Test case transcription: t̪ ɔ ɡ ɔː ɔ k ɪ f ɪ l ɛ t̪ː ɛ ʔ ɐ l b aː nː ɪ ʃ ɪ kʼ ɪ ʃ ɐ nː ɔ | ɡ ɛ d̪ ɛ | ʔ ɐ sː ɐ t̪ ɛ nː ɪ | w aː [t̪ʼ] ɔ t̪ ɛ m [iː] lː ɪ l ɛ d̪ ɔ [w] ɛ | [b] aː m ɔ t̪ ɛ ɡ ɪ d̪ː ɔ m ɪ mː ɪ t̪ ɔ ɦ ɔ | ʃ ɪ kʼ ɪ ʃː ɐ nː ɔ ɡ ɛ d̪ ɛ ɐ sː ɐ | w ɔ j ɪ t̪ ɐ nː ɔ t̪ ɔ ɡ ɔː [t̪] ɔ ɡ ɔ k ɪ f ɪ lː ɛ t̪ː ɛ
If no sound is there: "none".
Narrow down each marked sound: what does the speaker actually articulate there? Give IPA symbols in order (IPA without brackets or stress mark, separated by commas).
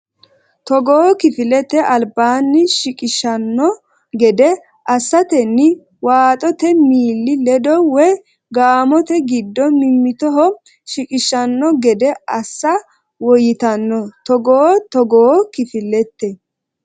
t̪ʼ, iː, w, ɡ, t̪